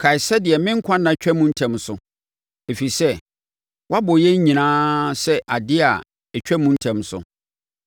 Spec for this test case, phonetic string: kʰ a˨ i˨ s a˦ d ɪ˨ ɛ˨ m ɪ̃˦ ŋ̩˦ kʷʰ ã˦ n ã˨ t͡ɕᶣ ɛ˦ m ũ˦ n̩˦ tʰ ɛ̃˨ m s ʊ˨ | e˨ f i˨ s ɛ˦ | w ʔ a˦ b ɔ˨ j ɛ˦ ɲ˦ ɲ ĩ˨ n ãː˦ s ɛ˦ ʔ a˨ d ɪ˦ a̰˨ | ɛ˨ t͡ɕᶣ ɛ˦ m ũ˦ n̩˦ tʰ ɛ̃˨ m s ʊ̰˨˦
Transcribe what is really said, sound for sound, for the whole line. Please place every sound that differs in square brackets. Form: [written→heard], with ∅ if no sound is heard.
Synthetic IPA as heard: kʰ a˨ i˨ s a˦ d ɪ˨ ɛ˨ m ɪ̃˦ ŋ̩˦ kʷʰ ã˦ n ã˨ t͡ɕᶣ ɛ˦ m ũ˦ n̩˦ tʰ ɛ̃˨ m s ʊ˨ | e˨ f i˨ s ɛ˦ | w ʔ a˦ b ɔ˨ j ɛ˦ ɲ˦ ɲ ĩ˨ n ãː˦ s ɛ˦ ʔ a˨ d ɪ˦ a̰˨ | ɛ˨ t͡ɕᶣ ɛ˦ m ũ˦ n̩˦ tʰ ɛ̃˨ m s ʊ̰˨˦

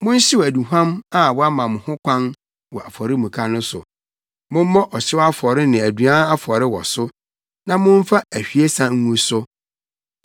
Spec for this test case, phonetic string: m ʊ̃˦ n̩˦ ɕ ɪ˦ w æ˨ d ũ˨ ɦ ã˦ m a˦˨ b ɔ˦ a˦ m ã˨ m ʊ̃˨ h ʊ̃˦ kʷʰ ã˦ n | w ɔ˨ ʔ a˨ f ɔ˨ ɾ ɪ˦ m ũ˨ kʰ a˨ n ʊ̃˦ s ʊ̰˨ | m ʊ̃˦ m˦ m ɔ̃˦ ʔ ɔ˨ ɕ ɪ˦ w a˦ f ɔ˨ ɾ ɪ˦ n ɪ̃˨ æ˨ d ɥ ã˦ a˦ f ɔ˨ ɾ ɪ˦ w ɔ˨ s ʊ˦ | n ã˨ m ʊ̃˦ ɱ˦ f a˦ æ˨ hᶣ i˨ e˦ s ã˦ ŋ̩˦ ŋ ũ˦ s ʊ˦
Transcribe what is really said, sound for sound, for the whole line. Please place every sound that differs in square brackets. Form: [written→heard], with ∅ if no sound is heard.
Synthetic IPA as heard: m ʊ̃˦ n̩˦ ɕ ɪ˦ w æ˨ d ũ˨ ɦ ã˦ m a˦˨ [b→w] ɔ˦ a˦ m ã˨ m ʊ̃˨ h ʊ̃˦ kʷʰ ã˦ n | w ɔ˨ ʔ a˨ f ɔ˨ ɾ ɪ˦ m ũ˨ kʰ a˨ n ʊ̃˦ s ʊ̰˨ | m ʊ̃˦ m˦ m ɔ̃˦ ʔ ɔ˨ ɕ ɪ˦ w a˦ f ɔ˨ ɾ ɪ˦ n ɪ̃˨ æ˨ d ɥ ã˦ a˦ f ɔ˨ ɾ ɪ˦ w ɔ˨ s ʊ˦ | n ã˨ m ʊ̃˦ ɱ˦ f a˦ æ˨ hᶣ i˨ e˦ s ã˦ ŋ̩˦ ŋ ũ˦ s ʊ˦

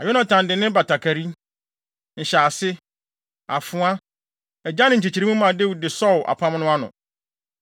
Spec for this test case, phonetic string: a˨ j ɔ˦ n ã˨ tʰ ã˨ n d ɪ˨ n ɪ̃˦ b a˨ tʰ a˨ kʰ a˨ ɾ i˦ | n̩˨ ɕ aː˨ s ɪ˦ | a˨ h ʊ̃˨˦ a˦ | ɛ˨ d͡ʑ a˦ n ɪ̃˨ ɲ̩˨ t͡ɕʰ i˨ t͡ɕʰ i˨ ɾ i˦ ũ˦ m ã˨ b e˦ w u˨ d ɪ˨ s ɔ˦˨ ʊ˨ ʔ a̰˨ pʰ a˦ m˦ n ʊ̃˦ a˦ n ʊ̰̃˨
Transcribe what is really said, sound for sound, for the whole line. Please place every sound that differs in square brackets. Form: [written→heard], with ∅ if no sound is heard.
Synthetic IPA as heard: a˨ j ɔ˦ n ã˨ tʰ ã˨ n d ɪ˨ n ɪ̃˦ b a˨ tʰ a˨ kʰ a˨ ɾ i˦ | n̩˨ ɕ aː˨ s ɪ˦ | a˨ [h→f] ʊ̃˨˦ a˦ | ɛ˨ d͡ʑ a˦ n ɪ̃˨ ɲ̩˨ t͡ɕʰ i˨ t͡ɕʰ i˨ ɾ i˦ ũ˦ m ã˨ [b→d] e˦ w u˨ d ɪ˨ s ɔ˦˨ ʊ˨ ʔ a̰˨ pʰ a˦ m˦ n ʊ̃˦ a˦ n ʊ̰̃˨

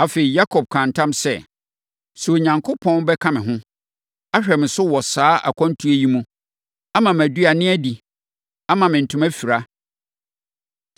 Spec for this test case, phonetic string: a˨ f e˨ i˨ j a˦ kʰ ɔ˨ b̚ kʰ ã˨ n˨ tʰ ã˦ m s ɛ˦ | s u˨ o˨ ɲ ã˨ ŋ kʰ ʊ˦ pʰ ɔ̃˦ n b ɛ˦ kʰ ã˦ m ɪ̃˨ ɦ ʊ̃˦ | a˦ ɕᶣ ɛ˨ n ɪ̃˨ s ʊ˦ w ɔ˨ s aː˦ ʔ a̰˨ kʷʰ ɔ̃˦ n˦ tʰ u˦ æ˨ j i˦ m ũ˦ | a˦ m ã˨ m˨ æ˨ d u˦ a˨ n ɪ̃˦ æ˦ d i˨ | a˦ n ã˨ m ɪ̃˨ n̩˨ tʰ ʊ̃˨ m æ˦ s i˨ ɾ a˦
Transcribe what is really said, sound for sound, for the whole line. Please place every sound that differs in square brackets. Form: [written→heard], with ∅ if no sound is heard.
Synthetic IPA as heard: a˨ f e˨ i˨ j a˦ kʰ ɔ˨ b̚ kʰ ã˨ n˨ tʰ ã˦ m s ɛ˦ | s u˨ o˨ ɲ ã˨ ŋ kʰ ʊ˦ pʰ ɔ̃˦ n b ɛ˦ kʰ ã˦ m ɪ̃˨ ɦ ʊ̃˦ | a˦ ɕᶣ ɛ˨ [n→m] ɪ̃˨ s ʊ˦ w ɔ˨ s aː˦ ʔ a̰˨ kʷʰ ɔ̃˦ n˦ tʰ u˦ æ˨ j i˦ m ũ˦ | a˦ m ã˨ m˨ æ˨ d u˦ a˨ n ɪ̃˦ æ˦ d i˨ | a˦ [n→m] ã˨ m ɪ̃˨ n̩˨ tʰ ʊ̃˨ m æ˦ [s→f] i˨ ɾ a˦

